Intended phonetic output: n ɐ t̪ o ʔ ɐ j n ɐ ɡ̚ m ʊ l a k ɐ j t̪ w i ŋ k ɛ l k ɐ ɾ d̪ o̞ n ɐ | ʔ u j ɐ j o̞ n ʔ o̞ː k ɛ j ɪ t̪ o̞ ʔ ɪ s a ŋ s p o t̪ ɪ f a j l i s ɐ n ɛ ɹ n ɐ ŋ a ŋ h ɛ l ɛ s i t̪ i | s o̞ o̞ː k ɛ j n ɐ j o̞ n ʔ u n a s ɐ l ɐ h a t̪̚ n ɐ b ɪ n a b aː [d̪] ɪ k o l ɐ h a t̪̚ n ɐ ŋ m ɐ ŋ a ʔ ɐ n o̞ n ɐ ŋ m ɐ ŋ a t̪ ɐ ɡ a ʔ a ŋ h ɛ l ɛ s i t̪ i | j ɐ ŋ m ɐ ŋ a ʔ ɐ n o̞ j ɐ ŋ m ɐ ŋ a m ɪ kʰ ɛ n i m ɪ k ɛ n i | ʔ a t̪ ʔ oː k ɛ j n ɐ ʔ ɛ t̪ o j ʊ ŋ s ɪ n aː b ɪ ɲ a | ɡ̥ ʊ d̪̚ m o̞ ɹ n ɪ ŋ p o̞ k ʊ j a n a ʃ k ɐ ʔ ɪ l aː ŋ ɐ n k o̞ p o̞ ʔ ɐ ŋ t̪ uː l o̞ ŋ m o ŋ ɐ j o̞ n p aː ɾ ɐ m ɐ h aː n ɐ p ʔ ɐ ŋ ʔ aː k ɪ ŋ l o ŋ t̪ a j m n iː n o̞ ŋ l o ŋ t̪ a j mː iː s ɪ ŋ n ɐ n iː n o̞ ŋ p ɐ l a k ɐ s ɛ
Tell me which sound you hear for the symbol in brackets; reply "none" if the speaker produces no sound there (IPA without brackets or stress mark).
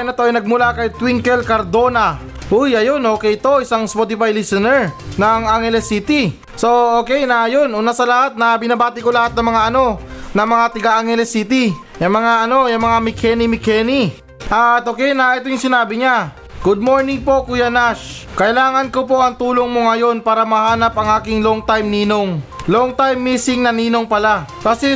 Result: t̪